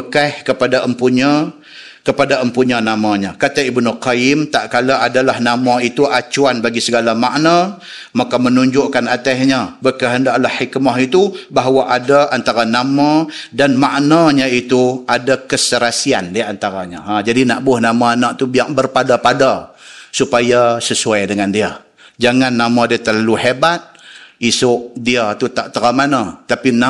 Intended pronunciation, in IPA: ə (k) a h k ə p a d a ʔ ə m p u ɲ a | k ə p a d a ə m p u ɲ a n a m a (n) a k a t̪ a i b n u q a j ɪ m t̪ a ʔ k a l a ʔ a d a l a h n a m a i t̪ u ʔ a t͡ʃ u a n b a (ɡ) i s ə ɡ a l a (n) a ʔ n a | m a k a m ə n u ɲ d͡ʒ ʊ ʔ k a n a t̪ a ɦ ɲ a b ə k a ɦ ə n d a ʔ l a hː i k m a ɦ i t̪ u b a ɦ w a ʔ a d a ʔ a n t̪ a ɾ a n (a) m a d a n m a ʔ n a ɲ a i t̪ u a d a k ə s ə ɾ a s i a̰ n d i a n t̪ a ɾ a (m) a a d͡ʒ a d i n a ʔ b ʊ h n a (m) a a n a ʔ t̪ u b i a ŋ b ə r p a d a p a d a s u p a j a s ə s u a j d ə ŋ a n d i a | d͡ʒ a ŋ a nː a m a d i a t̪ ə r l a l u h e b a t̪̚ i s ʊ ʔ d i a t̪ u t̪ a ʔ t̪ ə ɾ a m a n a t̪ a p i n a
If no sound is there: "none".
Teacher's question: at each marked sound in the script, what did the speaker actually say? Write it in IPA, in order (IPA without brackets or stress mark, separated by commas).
k, ɲ, ɡ, m, a, ɲ, m